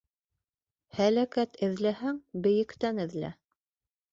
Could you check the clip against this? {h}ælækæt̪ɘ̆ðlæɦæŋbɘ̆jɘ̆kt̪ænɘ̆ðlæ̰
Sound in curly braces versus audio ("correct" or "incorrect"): correct